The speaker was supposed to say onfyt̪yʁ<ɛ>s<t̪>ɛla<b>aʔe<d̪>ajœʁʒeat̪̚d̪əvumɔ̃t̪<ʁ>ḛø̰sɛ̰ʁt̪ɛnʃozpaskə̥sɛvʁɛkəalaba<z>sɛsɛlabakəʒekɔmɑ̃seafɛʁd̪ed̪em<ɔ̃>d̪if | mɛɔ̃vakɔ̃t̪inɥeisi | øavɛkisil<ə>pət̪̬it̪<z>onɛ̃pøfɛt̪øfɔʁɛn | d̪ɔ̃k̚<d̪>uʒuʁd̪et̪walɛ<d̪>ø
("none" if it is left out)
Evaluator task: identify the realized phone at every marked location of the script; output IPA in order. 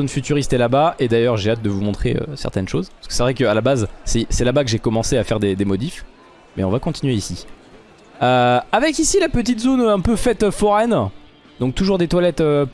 i, t̪, b, d̪, χ, z, ɔ, a, z, t̪, t̪

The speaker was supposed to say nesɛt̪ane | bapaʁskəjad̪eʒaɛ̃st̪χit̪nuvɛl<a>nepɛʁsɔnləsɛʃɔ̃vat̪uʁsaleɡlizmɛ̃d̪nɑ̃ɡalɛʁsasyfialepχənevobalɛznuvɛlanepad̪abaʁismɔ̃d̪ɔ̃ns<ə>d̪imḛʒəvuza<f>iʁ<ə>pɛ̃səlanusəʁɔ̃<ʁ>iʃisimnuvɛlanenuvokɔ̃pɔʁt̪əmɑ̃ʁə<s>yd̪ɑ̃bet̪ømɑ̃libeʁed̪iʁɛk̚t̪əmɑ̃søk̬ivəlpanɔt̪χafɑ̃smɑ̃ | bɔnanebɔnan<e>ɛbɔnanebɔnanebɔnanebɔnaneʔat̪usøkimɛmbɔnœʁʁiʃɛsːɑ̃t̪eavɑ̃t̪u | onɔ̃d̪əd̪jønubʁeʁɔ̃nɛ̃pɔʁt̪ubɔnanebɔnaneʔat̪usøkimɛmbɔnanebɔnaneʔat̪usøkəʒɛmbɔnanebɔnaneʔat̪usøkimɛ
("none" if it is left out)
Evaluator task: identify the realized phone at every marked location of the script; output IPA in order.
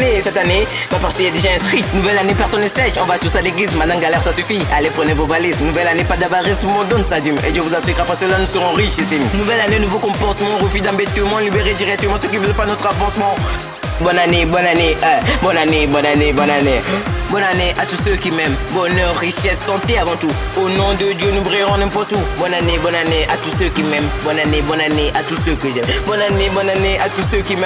a, a, s, a, ʁ, f, e

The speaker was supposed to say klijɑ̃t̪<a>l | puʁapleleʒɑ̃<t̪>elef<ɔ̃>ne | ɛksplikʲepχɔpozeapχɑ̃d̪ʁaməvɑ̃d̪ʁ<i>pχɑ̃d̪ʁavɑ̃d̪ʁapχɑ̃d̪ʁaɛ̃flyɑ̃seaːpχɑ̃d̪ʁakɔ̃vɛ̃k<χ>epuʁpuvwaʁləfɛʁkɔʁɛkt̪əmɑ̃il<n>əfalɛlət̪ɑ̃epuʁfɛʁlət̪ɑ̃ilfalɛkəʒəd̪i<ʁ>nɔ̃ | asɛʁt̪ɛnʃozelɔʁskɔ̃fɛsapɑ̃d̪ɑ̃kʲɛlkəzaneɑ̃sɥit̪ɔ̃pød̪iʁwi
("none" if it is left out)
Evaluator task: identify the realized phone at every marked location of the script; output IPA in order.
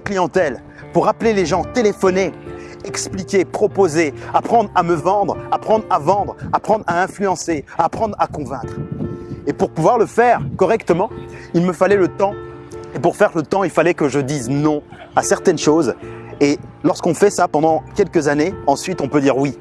ɛ, t̪, ɔ, a, χ, m, z

